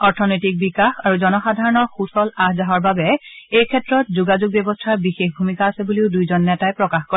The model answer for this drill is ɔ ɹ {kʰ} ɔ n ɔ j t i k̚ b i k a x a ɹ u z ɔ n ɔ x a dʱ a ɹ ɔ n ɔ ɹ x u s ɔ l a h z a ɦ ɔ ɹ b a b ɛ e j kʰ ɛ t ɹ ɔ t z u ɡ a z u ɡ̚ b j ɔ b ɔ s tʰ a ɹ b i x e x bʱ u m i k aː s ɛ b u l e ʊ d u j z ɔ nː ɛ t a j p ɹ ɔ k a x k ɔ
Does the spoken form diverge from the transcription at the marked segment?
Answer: yes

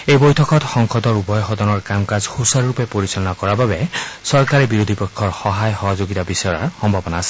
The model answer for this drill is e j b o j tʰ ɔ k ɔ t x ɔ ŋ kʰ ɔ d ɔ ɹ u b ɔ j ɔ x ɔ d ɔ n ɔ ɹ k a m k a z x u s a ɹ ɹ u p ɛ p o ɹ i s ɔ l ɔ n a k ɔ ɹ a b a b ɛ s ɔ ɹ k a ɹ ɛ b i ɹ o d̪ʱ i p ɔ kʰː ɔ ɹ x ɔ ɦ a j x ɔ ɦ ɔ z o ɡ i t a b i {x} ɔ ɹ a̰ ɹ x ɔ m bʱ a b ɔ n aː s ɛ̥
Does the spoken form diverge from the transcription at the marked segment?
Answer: yes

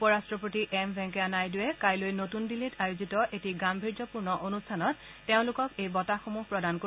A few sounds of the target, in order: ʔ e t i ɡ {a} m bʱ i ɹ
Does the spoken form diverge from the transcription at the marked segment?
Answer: no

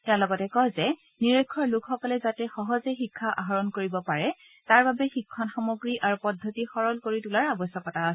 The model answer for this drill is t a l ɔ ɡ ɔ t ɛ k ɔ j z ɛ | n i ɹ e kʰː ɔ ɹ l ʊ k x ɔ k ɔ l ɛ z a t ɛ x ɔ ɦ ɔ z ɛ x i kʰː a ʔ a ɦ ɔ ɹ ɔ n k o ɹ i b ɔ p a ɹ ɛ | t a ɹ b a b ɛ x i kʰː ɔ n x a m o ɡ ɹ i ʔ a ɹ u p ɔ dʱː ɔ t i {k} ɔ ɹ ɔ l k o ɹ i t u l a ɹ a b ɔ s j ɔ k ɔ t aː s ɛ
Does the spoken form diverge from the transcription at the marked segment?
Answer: yes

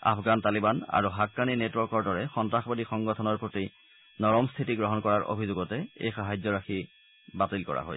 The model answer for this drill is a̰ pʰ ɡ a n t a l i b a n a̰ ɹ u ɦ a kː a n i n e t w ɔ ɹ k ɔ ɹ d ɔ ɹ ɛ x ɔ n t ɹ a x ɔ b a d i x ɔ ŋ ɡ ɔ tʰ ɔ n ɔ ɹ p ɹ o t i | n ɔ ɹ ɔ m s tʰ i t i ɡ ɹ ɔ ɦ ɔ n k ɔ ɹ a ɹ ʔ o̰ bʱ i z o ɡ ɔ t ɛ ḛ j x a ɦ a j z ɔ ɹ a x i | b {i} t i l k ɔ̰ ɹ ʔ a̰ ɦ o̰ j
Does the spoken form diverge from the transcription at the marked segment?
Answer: yes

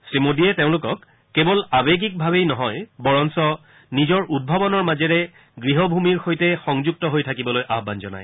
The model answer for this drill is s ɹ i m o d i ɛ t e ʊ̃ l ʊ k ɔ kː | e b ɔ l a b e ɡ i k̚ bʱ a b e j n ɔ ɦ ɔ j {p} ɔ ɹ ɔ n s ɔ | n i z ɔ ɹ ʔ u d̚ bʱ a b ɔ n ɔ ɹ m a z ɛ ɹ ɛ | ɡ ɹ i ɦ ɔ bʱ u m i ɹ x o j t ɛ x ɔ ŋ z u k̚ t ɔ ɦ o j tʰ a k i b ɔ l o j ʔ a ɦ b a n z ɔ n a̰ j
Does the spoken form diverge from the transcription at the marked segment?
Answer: yes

